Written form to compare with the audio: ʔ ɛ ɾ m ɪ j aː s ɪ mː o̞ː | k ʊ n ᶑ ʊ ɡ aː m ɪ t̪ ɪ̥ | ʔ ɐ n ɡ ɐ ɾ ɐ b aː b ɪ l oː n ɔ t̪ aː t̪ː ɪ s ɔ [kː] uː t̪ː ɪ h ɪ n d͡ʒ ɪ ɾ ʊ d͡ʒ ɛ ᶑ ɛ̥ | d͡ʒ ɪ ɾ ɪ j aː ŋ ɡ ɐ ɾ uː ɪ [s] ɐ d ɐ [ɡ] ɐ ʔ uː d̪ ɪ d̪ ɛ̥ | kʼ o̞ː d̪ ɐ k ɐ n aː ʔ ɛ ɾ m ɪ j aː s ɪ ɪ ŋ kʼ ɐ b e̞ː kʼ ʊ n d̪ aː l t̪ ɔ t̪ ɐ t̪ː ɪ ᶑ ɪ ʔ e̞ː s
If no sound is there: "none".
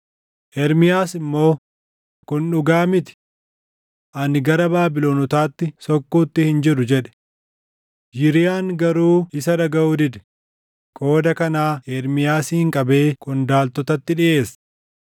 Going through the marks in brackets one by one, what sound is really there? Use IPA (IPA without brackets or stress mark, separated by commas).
kː, s, ɡ